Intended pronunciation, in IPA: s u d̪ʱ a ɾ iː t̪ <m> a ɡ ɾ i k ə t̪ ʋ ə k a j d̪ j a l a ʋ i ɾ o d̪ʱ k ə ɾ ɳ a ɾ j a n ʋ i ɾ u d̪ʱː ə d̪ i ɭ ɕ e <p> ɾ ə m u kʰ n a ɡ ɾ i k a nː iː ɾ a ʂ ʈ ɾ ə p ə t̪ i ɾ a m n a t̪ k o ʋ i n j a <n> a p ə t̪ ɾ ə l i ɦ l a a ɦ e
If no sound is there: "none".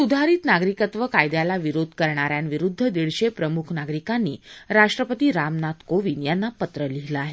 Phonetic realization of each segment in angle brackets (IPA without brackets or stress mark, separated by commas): n, p, nː